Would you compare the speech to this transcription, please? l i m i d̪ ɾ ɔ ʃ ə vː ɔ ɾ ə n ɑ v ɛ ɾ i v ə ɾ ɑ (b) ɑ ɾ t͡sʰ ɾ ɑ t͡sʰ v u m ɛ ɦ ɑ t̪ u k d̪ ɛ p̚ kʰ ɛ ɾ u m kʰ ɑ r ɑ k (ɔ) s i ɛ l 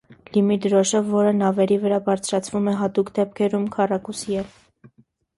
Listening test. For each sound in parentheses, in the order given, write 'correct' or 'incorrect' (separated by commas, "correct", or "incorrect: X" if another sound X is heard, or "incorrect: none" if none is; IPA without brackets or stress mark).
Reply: correct, incorrect: u